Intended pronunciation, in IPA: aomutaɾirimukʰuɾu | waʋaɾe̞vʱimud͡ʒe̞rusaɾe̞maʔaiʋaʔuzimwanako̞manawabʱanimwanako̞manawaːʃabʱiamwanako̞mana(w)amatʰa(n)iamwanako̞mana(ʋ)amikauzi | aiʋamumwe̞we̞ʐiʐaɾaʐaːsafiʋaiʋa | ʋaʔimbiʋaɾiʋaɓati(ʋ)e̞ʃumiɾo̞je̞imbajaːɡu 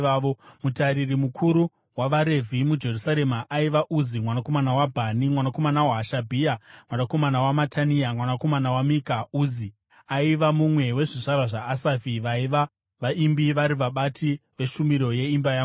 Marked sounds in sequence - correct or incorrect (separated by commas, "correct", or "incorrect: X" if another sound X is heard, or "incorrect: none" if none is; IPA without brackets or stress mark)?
correct, correct, incorrect: w, correct